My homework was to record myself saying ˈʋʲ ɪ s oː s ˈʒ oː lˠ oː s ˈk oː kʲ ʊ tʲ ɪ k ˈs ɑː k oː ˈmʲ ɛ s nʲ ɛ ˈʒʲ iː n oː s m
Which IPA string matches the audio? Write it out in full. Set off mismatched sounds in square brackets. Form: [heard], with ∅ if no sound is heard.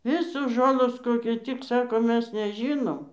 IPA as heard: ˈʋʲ ɪ s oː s ˈʒ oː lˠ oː s ˈk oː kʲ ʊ tʲ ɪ k ˈs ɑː k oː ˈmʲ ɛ s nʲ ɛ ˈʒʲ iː n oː [∅] m